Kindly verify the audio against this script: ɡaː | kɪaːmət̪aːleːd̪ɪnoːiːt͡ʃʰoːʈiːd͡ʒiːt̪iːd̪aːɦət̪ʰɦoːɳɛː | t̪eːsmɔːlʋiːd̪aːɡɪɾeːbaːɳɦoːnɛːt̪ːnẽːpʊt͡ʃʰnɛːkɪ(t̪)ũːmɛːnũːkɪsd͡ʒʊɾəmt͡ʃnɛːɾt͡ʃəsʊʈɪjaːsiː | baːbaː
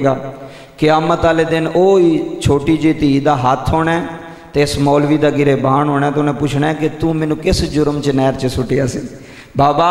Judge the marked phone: correct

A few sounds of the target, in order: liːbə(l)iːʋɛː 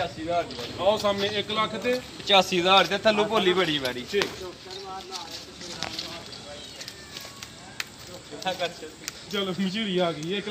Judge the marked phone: incorrect: ɽ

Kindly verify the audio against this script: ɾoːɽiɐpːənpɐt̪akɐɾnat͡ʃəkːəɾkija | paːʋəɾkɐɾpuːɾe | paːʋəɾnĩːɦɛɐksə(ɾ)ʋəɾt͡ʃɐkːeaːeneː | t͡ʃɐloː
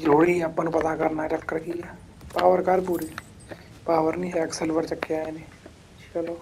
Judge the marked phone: incorrect: l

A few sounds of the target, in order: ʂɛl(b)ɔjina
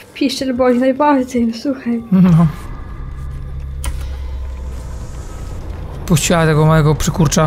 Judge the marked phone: correct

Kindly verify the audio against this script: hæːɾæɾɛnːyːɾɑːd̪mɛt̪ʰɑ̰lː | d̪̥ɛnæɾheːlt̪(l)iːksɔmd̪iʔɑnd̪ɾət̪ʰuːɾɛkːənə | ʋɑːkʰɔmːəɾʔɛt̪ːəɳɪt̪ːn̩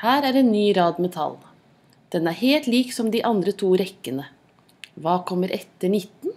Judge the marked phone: correct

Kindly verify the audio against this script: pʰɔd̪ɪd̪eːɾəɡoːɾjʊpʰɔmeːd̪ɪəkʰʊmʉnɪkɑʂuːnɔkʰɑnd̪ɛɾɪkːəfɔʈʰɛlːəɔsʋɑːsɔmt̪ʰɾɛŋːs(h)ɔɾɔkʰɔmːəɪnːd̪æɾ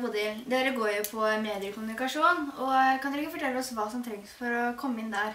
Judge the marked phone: incorrect: f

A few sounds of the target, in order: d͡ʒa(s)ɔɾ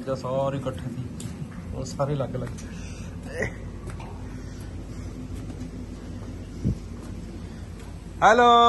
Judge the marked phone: correct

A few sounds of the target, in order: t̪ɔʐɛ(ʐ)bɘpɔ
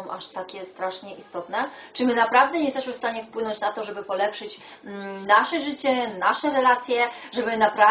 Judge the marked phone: incorrect: none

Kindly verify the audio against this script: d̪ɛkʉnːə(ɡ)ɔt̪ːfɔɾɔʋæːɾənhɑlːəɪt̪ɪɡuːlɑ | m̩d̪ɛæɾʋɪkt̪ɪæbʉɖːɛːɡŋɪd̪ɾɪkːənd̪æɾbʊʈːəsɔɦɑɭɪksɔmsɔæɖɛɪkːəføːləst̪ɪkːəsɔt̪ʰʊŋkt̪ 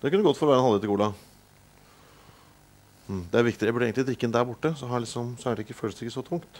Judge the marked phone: correct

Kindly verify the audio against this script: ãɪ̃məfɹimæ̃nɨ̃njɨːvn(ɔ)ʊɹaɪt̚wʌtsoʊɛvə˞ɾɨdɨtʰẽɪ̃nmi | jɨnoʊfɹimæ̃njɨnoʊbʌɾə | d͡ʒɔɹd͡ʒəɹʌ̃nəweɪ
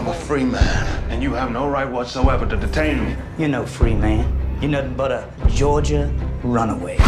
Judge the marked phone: incorrect: o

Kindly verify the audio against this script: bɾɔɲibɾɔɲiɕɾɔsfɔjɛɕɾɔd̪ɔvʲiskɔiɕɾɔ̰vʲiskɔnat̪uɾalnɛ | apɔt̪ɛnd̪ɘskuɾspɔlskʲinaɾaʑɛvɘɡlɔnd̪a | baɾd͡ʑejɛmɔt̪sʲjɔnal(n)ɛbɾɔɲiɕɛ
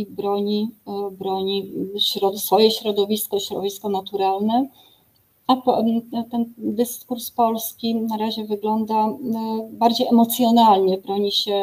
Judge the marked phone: incorrect: ɲ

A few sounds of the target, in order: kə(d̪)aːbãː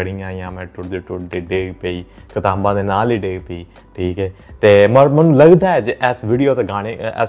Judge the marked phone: incorrect: t̪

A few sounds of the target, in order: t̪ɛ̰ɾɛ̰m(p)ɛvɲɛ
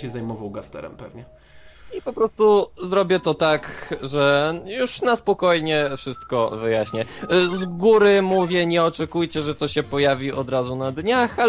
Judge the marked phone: correct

